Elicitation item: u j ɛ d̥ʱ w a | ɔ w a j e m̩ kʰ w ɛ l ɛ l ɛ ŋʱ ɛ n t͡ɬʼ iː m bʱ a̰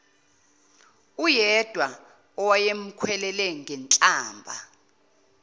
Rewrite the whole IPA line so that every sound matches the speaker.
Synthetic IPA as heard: u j ɛ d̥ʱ w a | ɔ w a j e m̩ kʰ w ɛ l ɛ l ɛ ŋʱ ɛ n t͡ɬʼ aː m bʱ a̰